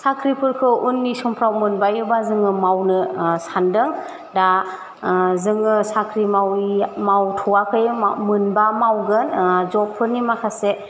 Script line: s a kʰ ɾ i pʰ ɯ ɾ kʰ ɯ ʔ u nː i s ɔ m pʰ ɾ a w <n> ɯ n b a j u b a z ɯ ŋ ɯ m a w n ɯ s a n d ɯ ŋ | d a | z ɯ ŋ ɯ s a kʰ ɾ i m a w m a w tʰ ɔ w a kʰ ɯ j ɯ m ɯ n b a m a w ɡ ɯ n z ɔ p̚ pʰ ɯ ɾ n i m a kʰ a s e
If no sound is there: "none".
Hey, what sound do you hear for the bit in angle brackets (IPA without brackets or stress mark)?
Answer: m